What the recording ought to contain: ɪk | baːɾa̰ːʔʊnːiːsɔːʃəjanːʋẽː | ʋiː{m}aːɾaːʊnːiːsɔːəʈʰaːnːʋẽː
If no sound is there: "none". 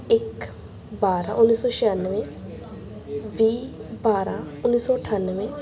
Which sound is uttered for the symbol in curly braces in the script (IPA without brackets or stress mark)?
b